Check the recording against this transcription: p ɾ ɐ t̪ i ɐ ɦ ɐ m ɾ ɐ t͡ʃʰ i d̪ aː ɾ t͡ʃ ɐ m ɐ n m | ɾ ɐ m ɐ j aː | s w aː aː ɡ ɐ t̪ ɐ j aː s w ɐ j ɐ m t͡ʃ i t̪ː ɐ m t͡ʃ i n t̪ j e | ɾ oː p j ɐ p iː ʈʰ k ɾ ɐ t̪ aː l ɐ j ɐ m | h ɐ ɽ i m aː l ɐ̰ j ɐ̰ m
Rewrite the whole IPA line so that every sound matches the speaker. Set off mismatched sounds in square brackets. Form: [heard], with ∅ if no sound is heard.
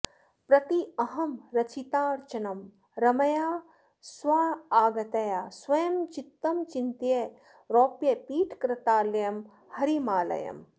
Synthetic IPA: p ɾ ɐ t̪ i ɐ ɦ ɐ m ɾ ɐ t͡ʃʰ i [t̪] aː ɾ t͡ʃ ɐ [n] ɐ [∅] m | ɾ ɐ m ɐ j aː | s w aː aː ɡ ɐ t̪ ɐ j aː s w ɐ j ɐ m t͡ʃ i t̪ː ɐ m t͡ʃ i n t̪ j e | ɾ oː p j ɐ p iː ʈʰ k ɾ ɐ t̪ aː l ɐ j ɐ m | h ɐ [ɾ] i m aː l ɐ̰ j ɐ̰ m